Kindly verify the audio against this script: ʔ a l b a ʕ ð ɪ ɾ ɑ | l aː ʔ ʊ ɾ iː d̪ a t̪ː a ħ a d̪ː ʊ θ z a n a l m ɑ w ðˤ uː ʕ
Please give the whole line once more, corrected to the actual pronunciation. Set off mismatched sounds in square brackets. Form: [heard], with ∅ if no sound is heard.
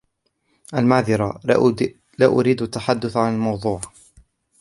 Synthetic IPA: ʔ a l [m] a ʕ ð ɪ ɾ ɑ | l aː ʔ ʊ ɾ iː d̪ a t̪ː a ħ a d̪ː ʊ θ [ʕ] a n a l m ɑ w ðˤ uː ʕ